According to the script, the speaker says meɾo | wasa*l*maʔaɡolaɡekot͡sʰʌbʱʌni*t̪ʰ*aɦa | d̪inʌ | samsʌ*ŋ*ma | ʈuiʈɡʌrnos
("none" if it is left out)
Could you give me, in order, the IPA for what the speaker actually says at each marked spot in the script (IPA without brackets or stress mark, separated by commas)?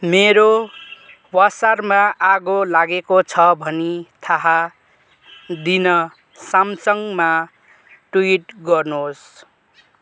r, t̪ʰ, ŋ